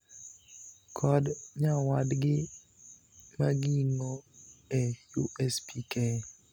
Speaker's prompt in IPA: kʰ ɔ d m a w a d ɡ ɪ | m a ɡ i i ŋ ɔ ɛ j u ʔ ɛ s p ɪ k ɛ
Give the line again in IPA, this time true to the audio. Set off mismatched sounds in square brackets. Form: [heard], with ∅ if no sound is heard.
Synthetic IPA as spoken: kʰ ɔ d [ɲ] a w a d ɡ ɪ | m a ɡ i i ŋ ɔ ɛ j u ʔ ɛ s p [i] k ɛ